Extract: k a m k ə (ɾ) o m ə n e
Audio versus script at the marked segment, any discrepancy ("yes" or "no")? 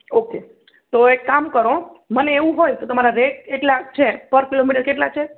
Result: no